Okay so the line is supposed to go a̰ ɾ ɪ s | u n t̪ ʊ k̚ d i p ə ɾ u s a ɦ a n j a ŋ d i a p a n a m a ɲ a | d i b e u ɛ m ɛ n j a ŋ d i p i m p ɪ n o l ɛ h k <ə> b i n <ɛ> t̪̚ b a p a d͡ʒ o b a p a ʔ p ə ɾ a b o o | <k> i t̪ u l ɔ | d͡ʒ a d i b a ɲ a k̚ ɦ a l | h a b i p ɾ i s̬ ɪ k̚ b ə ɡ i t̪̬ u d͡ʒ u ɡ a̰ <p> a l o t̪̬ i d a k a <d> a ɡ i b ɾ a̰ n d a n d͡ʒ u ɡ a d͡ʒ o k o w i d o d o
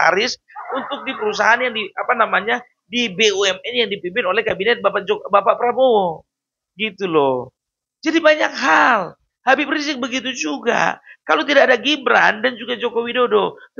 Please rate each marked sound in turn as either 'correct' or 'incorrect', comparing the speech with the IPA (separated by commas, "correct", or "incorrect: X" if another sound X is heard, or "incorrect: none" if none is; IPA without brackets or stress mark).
incorrect: a, correct, incorrect: ɡ, incorrect: k, correct